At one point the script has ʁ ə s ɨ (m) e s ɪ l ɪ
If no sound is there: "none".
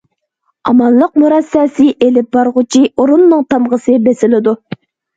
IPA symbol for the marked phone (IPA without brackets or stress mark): b